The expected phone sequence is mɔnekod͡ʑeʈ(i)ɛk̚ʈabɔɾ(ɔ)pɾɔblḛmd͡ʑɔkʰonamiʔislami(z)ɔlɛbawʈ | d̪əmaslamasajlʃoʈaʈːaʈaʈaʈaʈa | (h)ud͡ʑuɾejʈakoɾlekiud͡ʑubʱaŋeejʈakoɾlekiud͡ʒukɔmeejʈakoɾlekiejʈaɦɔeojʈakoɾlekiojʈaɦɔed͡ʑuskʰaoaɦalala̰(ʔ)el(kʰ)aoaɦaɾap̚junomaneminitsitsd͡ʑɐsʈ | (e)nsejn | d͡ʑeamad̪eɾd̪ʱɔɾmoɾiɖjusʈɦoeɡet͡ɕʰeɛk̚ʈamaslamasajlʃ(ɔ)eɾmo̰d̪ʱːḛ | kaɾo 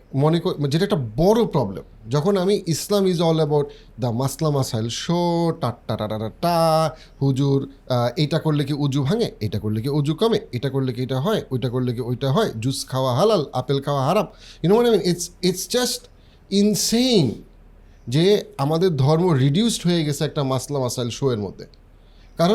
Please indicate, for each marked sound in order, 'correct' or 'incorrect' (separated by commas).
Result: incorrect, incorrect, correct, correct, incorrect, correct, incorrect, incorrect